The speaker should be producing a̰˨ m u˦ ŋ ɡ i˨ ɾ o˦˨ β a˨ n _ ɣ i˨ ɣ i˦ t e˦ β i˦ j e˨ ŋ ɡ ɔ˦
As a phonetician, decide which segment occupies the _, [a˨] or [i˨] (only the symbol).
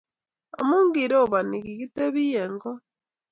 i˨